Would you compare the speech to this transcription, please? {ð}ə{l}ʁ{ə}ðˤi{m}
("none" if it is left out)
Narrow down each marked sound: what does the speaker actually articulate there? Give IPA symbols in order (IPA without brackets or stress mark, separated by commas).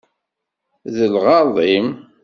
ð, l, ɑ, m